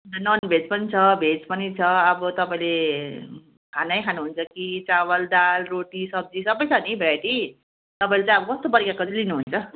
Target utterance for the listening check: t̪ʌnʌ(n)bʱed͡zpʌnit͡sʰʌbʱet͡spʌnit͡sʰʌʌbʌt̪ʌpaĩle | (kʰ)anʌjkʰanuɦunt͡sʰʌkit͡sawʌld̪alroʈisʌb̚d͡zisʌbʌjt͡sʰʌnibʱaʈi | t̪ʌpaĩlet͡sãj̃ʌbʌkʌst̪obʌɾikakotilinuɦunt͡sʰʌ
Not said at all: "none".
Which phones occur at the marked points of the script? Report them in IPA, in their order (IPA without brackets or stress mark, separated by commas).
n, kʰ